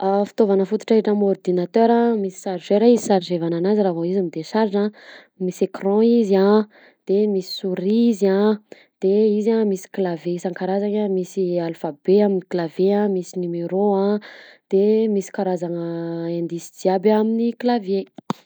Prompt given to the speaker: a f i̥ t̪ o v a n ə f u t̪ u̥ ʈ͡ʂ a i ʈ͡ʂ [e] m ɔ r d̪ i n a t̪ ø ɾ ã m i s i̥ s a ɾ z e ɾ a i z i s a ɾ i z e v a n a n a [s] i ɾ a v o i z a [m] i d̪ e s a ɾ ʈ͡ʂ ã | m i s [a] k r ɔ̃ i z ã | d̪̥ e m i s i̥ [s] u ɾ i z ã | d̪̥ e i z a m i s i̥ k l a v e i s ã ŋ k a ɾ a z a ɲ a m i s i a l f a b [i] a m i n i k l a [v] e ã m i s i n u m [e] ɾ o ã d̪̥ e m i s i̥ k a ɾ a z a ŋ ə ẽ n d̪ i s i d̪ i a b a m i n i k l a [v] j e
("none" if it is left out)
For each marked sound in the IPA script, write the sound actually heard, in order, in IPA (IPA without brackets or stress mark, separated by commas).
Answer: a, z, m, e, s, e, v, e, v